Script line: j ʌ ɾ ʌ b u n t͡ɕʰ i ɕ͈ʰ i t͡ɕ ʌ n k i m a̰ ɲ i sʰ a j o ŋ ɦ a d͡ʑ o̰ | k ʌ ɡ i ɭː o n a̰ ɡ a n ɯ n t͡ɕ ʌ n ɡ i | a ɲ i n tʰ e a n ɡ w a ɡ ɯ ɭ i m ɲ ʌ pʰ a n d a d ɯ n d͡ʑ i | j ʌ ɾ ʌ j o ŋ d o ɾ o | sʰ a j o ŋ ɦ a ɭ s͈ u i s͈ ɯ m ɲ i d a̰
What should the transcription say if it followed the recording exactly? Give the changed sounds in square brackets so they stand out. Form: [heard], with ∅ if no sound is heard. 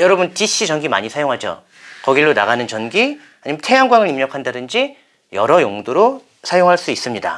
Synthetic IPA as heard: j ʌ ɾ ʌ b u n [t͡ɕ] i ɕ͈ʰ i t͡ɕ ʌ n [ɡ] i m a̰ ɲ i sʰ a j o ŋ ɦ a d͡ʑ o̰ | k ʌ ɡ i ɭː o n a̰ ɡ a n ɯ n t͡ɕ ʌ n ɡ i | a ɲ i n tʰ e a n ɡ w a [ŋ] ɯ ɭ i m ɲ ʌ [kʰ] a n d a d ɯ n d͡ʑ i | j ʌ ɾ ʌ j o ŋ d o ɾ o | sʰ a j o ŋ ɦ a ɭ s͈ u i s͈ ɯ m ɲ i d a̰